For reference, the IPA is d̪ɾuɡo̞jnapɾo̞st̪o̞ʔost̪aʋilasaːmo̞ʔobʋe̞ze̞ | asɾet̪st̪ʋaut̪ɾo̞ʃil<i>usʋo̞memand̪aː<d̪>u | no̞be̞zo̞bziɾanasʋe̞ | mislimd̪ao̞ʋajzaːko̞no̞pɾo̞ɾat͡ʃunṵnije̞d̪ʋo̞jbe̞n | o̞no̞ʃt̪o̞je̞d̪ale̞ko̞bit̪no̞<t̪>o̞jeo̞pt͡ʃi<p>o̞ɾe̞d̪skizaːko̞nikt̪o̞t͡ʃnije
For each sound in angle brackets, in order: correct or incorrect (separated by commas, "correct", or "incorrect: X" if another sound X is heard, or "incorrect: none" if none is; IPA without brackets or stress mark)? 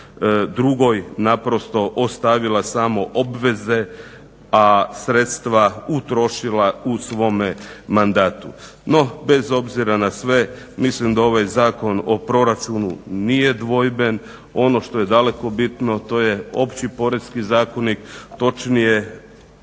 incorrect: a, incorrect: t̪, correct, correct